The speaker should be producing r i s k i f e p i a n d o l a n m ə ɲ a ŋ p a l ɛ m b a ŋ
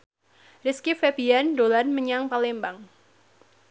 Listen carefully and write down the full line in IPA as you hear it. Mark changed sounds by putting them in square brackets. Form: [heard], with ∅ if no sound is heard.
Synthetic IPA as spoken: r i s k i f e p i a n d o l a n m ə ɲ a ŋ p a l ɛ m b a ŋ